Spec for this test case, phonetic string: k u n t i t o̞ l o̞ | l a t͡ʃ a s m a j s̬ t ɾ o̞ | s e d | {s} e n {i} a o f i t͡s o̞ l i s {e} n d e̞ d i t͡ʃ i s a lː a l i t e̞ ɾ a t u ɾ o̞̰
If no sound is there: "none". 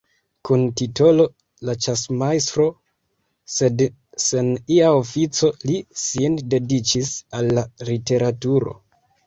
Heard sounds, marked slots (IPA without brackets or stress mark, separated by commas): s, i, i